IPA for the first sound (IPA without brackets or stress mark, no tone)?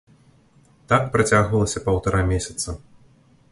t̪